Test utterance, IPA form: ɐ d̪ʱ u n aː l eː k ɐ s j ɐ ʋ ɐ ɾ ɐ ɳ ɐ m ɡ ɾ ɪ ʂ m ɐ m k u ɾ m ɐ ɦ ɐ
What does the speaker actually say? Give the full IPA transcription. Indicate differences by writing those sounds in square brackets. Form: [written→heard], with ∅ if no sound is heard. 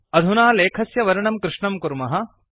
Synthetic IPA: ɐ d̪ʱ u n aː l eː [k→kʰ] ɐ s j ɐ ʋ ɐ ɾ ɐ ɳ ɐ m [ɡ→k] ɾ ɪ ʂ [m→ɳ] ɐ m k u ɾ m ɐ ɦ ɐ